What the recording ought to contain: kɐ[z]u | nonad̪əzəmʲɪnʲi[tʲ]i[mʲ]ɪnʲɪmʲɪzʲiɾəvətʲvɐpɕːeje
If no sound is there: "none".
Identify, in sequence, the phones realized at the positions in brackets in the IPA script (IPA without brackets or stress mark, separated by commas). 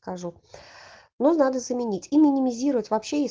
ʐ, tʲ, mʲ